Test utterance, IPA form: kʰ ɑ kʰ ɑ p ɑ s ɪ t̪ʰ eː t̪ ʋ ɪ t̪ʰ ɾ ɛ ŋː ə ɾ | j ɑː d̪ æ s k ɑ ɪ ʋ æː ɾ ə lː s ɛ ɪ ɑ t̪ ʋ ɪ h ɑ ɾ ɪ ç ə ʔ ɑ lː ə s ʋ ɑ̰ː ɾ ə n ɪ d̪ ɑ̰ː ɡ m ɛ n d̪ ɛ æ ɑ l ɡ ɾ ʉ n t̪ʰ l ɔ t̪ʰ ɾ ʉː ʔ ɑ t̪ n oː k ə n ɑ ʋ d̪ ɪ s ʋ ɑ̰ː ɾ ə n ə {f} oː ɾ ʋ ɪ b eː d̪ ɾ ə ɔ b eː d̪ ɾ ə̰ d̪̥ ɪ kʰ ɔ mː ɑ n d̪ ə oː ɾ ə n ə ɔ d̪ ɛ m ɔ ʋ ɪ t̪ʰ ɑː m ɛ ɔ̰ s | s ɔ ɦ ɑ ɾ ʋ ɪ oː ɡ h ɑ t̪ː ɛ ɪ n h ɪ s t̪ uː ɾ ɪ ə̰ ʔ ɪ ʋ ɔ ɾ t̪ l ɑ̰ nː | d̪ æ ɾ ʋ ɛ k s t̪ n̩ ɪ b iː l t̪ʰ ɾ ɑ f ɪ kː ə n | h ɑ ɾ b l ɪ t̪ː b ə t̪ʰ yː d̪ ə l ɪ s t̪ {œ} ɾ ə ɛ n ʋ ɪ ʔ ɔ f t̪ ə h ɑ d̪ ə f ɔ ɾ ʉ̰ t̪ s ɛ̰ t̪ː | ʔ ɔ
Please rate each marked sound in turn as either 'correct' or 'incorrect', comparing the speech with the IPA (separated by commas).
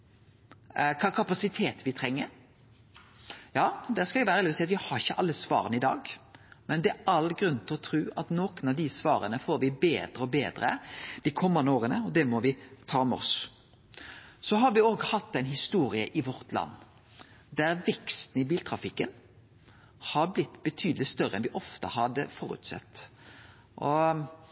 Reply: correct, correct